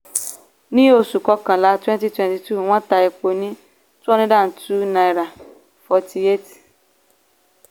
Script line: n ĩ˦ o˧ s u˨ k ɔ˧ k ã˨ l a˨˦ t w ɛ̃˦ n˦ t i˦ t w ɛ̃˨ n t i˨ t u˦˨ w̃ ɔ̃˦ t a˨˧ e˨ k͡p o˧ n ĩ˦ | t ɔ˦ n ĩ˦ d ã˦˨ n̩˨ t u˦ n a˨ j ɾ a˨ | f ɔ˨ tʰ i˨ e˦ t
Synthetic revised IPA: n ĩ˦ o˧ s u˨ k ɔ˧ k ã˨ l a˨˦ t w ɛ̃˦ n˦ t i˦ t w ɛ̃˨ n t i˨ t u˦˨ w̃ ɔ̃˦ t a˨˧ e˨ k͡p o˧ n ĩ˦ | t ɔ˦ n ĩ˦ d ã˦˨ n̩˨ t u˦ n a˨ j ɾ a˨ | f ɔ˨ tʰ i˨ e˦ t